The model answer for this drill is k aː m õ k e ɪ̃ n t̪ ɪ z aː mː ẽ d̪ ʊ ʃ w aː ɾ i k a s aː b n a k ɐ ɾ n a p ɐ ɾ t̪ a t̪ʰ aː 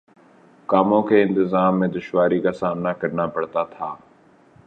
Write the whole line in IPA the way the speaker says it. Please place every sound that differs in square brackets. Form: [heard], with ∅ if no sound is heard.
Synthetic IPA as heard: k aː m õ k e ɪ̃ n t̪ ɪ z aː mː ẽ d̪ ʊ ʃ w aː ɾ i k a s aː [m] n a k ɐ ɾ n a p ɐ [ɽ] t̪ a t̪ʰ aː